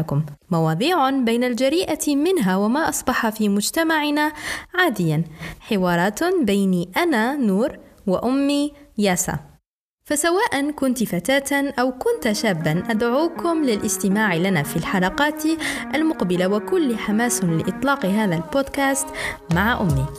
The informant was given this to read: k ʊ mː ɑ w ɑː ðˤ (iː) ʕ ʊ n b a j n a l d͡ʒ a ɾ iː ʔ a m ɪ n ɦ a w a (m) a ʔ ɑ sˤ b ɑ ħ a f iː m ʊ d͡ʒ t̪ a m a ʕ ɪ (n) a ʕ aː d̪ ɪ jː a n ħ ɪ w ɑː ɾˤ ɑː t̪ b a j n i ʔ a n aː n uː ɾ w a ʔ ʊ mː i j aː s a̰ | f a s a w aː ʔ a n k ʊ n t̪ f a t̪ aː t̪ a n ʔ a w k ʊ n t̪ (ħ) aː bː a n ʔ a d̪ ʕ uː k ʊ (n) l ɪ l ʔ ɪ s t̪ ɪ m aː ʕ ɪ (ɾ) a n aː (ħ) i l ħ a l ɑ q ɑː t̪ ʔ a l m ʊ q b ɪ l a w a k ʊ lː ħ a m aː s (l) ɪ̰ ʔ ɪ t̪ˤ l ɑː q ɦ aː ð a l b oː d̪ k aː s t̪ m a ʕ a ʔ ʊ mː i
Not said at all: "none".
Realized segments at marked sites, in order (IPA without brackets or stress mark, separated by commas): iː, m, n, ʃ, m, l, f, l